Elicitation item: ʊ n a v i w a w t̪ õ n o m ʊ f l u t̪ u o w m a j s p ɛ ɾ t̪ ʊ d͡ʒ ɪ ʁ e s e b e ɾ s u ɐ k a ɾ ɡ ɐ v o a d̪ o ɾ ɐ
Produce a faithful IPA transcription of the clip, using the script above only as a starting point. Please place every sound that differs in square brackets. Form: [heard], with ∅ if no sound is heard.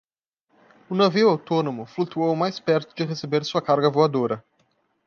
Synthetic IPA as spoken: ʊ n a v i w a w t̪ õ n o m ʊ f l u t̪ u o w m a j s p ɛ ɾ t̪ ʊ d͡ʒ ɪ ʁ e s e b e ɾ s u ɐ k a ɾ ɡ ɐ v o a d̪ o ɾ ɐ